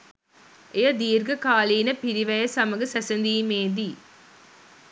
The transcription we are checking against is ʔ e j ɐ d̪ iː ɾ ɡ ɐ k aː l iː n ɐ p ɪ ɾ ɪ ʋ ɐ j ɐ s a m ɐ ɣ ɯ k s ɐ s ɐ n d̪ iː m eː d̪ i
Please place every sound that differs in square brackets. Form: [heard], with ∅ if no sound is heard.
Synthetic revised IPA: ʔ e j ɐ d̪ iː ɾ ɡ ɐ k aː l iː n ɐ p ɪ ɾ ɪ ʋ ɐ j ɐ s [ɐ] m ɐ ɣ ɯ [∅] s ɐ s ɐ n d̪ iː m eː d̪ i